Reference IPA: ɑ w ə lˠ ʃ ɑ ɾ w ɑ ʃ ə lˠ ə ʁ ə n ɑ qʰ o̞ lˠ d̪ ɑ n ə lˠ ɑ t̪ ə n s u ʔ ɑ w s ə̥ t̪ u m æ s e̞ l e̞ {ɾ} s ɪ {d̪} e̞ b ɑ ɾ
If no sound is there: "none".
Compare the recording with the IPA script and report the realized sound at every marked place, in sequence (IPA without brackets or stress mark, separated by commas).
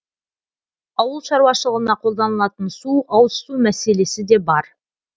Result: none, d̪